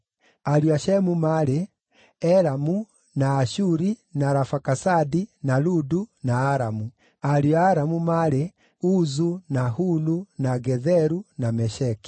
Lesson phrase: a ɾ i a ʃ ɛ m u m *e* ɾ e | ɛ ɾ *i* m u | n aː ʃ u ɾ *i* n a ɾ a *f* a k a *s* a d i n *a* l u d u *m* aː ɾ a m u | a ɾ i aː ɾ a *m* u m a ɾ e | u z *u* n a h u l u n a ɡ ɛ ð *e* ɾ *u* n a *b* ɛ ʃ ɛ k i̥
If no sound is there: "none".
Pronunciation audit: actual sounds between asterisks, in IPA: a, a, i, f, s, a, n, m, u, ɛ, u, m

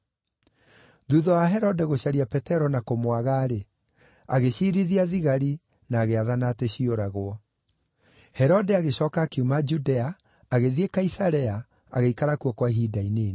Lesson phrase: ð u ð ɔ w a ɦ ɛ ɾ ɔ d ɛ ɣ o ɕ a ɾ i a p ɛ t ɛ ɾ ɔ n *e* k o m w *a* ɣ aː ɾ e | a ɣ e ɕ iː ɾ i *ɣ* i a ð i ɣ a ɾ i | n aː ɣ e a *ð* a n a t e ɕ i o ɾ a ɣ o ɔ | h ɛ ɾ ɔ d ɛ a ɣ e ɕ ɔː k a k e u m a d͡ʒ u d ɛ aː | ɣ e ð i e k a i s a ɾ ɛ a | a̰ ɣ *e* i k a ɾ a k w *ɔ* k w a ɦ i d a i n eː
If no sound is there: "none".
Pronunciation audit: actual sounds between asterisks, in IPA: a, a, ð, ð, e, ɔ

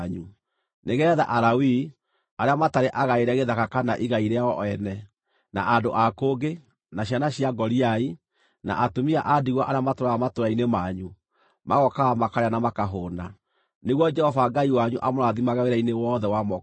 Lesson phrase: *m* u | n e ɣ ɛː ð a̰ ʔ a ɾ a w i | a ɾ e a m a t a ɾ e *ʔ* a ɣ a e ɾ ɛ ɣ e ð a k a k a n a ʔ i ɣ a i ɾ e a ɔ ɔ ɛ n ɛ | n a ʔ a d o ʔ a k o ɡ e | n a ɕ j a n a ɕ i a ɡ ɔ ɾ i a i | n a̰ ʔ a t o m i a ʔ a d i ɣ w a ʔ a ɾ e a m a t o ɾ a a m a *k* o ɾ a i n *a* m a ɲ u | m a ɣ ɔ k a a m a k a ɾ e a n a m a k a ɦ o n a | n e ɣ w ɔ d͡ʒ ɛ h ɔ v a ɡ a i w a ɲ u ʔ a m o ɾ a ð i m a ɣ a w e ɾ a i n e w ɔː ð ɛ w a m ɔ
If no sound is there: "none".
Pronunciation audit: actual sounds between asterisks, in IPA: ɲ, ʔ, t, e

